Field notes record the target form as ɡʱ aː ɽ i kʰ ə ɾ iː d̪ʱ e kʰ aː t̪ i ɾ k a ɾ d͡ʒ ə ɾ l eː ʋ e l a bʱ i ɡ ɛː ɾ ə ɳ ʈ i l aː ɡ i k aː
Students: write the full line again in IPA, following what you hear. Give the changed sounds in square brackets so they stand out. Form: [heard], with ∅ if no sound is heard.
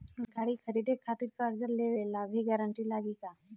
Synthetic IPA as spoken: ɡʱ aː ɽ i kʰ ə ɾ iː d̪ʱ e kʰ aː t̪ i ɾ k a ɾ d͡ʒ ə ɾ l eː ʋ e l a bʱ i ɡ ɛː ɾ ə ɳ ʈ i l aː ɡ i k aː